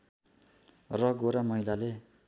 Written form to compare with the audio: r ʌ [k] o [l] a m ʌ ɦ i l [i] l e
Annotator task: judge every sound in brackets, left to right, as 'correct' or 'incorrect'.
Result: incorrect: ɡ, incorrect: ɾ, incorrect: a

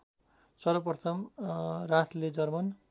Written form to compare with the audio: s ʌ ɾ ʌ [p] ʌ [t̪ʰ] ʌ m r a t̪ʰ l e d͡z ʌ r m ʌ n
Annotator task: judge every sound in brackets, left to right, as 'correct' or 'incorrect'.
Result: correct, correct

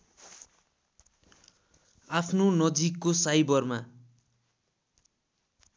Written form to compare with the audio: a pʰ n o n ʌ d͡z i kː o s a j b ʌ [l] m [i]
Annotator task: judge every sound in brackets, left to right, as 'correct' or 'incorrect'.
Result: incorrect: r, incorrect: a

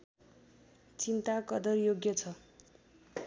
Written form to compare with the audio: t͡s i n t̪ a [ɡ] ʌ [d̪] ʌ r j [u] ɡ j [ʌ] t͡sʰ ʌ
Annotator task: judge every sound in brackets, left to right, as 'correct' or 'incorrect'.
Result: incorrect: k, correct, incorrect: o, correct

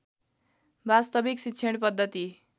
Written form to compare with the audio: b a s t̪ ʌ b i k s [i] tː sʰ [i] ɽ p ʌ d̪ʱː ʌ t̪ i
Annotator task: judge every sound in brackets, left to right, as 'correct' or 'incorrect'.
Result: correct, incorrect: e

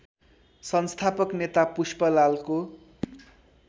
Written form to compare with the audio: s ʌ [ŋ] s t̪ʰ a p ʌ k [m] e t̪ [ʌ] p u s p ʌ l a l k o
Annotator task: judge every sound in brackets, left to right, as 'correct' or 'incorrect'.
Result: incorrect: n, incorrect: n, incorrect: a

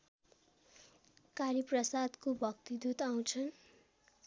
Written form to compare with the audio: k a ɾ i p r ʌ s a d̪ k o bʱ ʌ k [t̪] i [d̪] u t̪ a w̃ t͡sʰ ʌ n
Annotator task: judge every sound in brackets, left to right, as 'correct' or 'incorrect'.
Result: correct, correct

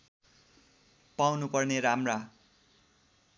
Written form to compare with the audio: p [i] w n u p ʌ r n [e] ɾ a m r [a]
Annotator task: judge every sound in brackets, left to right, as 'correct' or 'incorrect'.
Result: incorrect: a, correct, correct

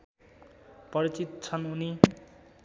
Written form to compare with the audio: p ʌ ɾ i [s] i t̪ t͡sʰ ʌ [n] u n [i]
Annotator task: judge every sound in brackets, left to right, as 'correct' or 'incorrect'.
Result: incorrect: t͡s, correct, correct

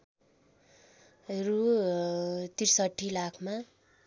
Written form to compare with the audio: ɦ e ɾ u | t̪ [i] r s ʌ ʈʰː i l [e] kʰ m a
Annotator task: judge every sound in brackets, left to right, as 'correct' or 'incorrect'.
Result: correct, incorrect: a

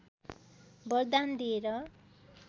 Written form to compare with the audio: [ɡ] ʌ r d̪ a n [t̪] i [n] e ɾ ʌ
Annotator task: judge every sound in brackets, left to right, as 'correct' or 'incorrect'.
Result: incorrect: b, incorrect: d̪, incorrect: none

